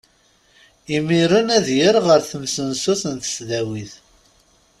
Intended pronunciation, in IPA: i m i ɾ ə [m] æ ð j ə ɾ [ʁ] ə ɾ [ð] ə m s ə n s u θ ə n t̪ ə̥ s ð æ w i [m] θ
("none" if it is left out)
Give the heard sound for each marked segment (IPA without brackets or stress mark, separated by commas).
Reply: n, ʁ, θ, none